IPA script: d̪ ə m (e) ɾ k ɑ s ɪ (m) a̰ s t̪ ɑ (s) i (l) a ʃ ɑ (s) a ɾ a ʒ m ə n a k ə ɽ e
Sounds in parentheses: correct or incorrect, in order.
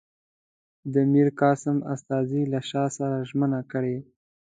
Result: incorrect, correct, incorrect, correct, correct

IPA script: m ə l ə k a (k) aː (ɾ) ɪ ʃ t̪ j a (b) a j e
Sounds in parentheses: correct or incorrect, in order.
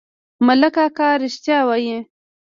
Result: correct, correct, incorrect

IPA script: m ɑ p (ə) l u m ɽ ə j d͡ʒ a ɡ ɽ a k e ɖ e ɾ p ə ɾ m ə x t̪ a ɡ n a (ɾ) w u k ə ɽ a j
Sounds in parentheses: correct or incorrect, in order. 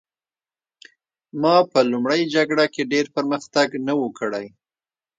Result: correct, incorrect

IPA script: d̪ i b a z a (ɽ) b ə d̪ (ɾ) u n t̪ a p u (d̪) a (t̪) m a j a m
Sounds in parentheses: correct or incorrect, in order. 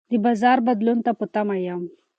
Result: incorrect, incorrect, incorrect, incorrect

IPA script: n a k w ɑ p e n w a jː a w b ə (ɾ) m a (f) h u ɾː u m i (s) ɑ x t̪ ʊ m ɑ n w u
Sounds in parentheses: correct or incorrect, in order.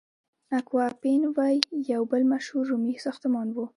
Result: incorrect, incorrect, correct

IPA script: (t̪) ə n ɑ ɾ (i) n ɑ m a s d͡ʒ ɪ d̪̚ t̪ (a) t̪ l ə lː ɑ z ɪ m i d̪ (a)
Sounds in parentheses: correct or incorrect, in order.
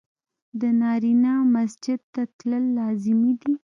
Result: incorrect, correct, correct, incorrect

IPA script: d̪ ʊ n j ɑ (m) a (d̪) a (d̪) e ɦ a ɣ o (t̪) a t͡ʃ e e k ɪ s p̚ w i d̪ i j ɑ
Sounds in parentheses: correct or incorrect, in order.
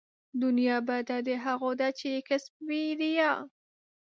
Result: incorrect, correct, correct, incorrect

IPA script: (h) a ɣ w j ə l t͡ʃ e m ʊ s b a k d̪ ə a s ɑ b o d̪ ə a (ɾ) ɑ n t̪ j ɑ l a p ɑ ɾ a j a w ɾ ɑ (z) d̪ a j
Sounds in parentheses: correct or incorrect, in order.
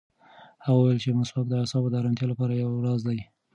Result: correct, correct, correct

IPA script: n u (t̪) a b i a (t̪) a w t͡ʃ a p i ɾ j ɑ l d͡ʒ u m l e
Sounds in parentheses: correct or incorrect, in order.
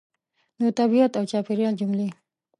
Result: correct, correct

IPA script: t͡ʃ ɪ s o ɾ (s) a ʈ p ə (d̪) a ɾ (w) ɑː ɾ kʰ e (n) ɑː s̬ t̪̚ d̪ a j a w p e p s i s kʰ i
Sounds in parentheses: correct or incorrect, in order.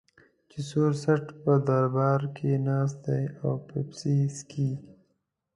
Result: correct, correct, incorrect, correct

